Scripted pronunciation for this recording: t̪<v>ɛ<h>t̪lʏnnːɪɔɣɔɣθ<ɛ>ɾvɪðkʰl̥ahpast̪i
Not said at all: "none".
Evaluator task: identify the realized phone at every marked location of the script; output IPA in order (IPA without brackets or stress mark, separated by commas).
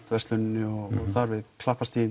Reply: v, s, a